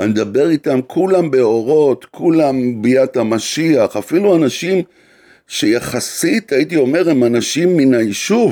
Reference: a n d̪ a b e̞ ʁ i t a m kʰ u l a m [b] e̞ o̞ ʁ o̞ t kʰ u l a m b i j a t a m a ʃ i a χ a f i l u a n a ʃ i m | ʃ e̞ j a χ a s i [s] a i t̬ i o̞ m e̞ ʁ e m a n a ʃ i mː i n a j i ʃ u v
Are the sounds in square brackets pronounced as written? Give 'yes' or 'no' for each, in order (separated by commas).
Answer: yes, no